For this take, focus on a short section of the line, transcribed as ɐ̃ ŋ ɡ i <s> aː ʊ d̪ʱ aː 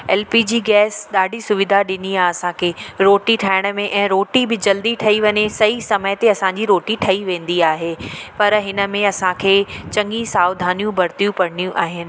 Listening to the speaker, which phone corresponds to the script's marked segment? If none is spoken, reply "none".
s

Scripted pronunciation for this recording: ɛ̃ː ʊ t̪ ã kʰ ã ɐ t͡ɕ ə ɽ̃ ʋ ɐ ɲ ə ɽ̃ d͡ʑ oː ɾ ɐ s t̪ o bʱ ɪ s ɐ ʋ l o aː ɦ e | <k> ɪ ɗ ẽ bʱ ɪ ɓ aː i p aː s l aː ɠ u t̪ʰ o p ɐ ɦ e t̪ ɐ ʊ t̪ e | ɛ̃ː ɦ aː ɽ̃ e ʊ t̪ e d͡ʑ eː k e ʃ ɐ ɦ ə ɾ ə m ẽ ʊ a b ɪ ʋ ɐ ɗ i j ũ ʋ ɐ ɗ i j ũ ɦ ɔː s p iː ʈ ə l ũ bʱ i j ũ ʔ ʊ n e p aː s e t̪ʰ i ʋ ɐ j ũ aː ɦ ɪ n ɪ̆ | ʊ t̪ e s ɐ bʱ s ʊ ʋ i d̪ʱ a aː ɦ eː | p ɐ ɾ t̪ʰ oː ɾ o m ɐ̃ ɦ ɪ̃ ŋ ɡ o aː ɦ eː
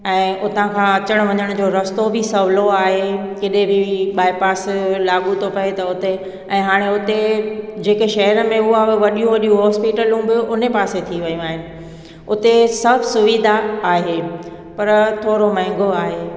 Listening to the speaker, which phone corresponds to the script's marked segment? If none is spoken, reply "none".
k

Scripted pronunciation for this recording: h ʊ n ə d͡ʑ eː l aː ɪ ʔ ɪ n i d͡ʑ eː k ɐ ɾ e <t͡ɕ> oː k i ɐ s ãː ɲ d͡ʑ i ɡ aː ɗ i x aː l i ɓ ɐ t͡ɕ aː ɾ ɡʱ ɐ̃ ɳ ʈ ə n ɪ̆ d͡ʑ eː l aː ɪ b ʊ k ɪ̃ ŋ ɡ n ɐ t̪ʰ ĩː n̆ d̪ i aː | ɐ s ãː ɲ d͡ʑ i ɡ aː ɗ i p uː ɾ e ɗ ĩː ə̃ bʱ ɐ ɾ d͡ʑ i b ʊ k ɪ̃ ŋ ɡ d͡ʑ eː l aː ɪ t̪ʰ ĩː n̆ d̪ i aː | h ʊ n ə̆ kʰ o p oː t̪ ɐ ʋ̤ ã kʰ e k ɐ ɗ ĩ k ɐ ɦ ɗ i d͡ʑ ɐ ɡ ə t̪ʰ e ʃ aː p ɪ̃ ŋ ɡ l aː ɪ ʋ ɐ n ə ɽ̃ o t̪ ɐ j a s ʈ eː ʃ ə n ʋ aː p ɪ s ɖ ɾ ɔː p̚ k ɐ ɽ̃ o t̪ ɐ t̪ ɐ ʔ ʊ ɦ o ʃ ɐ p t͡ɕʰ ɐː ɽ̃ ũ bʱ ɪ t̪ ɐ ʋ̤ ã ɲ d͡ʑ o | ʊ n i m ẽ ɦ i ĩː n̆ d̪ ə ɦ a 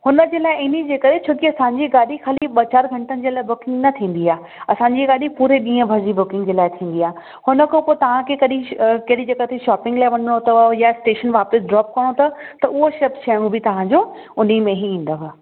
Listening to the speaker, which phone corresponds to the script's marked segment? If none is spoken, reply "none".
t͡ɕʰ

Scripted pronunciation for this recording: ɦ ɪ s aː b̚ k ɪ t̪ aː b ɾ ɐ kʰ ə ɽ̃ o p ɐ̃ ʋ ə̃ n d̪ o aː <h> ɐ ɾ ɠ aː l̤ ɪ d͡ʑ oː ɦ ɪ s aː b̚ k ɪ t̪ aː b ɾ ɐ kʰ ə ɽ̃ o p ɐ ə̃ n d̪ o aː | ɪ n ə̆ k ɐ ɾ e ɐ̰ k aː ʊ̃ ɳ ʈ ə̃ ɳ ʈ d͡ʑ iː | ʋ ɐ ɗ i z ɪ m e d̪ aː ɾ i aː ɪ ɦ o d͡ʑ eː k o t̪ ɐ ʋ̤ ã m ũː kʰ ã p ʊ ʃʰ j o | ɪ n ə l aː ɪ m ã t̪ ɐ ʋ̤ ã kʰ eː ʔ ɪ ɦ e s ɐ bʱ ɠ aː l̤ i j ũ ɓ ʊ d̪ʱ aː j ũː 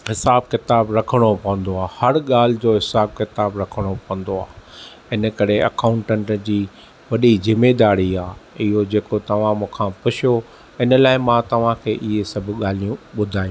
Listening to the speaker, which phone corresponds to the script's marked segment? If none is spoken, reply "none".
h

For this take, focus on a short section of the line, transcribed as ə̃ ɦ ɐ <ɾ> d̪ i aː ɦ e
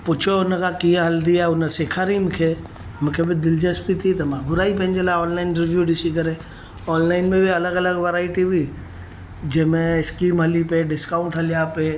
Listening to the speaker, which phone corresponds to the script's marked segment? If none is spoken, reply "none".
l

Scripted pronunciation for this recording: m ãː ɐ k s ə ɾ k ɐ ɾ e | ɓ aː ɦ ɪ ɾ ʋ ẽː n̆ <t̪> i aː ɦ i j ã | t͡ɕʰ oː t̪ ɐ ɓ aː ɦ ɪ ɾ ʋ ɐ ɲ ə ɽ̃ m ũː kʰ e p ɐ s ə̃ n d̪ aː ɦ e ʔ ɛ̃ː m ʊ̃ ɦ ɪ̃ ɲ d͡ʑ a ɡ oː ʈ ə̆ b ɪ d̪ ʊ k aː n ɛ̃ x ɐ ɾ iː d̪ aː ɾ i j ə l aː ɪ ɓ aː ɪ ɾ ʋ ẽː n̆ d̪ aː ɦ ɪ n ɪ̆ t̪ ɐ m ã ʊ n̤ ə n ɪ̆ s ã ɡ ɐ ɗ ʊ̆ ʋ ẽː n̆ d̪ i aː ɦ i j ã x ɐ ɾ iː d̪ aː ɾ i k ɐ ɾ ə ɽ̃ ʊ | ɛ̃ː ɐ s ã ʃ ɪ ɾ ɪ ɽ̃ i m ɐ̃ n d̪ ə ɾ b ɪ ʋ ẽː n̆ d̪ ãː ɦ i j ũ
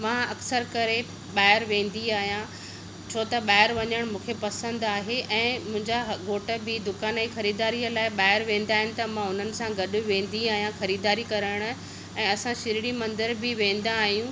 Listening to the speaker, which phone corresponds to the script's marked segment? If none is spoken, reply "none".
d̪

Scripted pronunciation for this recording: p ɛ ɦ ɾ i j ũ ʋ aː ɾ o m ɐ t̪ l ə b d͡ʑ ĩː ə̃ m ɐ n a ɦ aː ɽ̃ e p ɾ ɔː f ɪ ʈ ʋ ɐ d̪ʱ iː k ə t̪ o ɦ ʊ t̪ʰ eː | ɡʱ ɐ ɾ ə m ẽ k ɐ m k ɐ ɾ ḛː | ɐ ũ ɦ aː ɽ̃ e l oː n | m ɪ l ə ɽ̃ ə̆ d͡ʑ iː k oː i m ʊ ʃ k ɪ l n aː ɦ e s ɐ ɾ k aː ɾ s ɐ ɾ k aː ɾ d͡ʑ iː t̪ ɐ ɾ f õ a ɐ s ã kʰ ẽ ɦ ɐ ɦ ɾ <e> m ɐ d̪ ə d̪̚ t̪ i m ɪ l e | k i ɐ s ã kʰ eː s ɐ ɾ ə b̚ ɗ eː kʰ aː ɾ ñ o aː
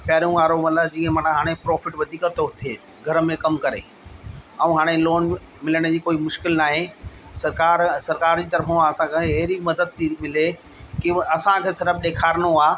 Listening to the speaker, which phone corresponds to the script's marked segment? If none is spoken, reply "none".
i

